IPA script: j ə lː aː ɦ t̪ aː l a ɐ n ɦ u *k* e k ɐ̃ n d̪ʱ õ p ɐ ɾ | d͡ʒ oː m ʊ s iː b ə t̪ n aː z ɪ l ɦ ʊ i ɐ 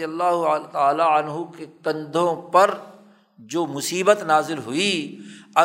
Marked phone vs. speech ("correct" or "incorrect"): correct